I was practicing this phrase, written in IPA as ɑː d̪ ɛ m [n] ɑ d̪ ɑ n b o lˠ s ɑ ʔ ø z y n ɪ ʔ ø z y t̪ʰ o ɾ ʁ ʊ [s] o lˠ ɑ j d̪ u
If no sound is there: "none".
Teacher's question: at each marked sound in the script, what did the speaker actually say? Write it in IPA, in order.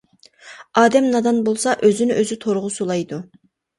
n, s

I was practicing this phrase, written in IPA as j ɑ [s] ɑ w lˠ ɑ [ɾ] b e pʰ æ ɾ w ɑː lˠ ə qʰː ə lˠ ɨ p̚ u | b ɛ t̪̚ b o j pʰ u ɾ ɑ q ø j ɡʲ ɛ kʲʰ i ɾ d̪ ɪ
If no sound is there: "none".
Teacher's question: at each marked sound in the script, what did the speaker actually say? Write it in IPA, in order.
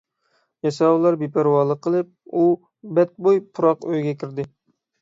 s, ɾ

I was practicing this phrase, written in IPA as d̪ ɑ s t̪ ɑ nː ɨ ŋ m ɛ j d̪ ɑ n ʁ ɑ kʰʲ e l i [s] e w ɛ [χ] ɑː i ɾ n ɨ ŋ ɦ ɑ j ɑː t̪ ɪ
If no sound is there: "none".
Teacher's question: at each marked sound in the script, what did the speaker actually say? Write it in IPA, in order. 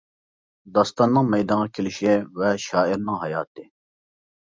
ʃ, ʃ

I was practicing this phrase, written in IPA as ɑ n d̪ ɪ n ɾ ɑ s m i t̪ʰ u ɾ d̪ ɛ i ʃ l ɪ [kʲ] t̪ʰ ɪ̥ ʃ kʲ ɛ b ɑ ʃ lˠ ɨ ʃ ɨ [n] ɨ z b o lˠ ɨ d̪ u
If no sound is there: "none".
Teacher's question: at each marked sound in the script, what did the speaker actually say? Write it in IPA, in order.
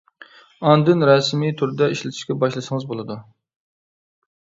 none, ŋ

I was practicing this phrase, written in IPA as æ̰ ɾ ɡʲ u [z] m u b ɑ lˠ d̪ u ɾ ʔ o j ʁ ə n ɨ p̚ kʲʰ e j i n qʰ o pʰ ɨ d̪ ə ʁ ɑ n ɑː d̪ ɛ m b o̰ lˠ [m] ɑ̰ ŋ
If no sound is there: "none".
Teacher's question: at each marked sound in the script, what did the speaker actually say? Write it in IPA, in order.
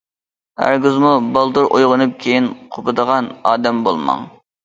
z, m

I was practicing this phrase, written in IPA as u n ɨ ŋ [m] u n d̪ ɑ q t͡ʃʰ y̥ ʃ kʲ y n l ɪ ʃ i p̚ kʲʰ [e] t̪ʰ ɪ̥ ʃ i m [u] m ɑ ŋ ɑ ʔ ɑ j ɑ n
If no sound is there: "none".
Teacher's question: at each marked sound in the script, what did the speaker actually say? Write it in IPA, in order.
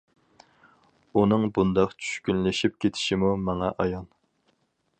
b, e, u

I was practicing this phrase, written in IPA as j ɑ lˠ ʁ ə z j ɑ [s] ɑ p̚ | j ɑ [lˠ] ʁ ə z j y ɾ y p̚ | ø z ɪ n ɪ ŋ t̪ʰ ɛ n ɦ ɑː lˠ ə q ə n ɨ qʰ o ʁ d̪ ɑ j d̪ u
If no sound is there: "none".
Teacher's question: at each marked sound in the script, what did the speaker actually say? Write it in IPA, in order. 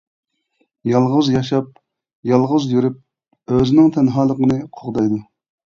ʃ, lˠ

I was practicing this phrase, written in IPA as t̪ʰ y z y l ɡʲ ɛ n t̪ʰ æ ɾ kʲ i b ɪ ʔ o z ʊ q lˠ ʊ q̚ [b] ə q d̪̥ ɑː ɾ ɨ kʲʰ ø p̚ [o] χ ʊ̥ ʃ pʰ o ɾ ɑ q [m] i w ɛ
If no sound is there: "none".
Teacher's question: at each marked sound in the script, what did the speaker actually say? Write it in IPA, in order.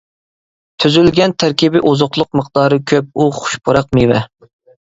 m, u, m

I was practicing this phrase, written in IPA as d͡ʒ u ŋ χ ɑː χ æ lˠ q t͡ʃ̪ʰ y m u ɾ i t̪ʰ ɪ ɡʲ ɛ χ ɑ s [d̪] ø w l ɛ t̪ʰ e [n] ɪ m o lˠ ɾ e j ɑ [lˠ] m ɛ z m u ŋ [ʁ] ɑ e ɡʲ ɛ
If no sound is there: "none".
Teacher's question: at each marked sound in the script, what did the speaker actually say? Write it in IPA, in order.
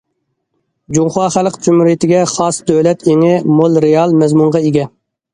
d̪, ŋ, lˠ, ʁ

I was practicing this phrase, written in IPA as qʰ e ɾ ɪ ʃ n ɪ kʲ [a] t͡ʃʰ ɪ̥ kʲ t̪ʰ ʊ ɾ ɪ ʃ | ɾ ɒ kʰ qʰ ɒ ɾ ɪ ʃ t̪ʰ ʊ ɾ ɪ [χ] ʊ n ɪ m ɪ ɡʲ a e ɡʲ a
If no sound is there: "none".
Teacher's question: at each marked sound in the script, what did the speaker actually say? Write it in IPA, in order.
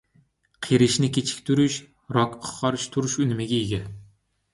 e, ʃ

